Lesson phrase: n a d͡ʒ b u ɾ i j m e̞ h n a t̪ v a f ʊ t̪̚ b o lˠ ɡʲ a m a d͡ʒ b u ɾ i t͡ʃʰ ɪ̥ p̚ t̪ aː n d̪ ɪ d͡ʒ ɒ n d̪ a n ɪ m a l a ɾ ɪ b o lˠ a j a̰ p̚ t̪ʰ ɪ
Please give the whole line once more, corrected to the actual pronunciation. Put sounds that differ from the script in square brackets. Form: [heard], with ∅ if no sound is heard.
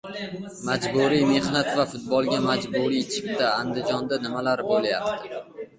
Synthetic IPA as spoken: [m] a d͡ʒ b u ɾ i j m e̞ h n a t̪ v a f ʊ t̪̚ b [ɒ] lˠ ɡʲ a m a d͡ʒ b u ɾ i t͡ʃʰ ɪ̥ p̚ t̪ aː n d̪ ɪ d͡ʒ ɒ n d̪ a n ɪ m a l a ɾ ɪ b o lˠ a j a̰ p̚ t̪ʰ ɪ